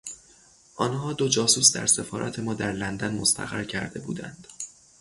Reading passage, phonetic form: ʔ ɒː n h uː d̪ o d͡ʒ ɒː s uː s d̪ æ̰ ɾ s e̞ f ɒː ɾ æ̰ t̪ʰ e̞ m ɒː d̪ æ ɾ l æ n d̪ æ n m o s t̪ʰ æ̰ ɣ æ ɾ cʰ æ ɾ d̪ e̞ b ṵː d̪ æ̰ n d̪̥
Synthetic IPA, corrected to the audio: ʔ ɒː n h ɒː d̪ o d͡ʒ ɒː s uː s d̪ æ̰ ɾ s e̞ f ɒː ɾ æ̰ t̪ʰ e̞ m ɒː d̪ æ ɾ l æ n d̪ æ n m o s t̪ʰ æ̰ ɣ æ ɾ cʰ æ ɾ d̪ e̞ b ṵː d̪ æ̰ n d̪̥

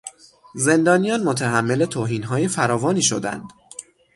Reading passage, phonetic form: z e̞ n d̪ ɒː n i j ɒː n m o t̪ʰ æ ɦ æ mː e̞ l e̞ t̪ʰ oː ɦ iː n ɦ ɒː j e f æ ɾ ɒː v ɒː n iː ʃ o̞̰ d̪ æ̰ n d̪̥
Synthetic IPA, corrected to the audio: z e̞ n d̪ ɒː n i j ɒː n m o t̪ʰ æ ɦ æ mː e̞ l e̞ t̪ʰ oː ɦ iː n ɦ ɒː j e f æ ɾ ɒː v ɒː n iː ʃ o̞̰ d̪ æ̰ n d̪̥

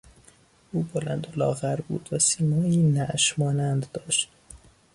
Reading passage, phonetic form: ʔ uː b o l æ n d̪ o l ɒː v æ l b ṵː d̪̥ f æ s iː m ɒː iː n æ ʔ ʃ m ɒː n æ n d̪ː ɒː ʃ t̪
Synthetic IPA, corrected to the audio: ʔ uː b o l æ n d̪ o l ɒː ɣ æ ɾ b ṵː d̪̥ v æ s iː m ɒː iː n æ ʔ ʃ m ɒː n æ n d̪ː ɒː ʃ t̪

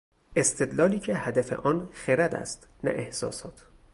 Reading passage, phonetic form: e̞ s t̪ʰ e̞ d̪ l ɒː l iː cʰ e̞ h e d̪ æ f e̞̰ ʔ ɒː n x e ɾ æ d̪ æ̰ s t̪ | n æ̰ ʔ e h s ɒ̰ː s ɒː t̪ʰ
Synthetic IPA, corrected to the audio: e̞ s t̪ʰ e̞ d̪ l ɒː l iː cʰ e̞ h æ d̪ æ f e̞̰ ʔ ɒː n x e ɾ æ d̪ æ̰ s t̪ | n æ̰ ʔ e h s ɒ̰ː s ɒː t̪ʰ

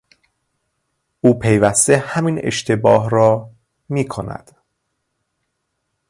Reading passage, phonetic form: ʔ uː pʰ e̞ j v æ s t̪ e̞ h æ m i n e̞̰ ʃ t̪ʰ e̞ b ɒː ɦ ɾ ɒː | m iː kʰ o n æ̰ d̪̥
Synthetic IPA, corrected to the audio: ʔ uː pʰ e̞ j v æ s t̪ e̞ h æ m i n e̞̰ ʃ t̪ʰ e̞ b ɒː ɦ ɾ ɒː | m iː kʰ o n æ̰ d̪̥

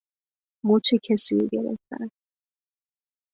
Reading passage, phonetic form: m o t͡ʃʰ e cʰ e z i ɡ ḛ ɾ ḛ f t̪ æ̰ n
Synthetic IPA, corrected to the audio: m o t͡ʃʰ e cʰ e s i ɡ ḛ ɾ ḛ f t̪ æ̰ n

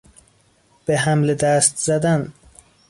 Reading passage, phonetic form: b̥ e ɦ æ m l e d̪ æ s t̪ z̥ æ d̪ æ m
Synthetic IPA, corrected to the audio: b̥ e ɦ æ m l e d̪ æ s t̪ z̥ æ d̪ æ n

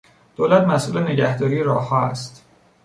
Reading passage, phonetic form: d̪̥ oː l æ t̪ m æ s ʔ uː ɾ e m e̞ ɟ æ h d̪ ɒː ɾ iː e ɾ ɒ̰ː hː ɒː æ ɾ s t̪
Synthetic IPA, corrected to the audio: d̪̥ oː l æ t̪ m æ s ʔ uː l e n e̞ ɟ æ h d̪ ɒː ɾ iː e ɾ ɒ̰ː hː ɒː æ s t̪

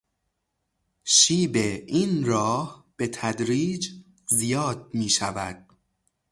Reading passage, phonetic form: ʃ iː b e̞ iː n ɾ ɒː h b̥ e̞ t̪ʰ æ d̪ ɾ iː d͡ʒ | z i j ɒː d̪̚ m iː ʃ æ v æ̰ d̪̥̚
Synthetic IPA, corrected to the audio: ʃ iː b e̞ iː n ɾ ɒː h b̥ e̞ t̪ʰ æ d̪ ɾ iː d͡ʒ | z i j ɒː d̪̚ m iː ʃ æ v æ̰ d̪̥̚

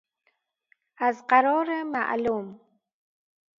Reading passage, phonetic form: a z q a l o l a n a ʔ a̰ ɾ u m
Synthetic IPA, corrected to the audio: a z q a ɾ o ɾ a m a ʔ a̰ l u m

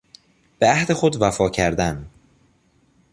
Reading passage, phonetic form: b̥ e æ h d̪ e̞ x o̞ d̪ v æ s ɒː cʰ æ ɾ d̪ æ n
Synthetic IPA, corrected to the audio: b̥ e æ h d̪ e̞ x o̞ d̪ v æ f ɒː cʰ æ ɾ d̪ æ n

